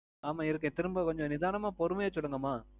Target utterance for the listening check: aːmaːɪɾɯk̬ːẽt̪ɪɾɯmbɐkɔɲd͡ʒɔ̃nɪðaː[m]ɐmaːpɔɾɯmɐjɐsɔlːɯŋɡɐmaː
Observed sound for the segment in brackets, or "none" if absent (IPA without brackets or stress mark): n